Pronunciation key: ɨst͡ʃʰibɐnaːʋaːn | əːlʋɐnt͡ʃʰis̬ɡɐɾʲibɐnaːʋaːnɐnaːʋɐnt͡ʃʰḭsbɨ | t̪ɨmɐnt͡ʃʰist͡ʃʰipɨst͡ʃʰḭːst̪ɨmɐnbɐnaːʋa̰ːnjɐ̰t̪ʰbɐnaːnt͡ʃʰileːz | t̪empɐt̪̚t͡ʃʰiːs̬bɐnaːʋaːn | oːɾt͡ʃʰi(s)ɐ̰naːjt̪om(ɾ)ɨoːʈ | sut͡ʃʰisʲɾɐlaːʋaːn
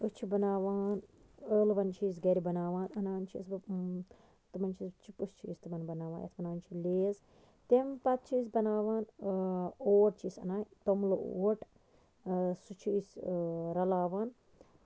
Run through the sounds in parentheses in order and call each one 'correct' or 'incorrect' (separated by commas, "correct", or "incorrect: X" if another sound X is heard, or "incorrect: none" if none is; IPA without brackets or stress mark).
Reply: correct, incorrect: l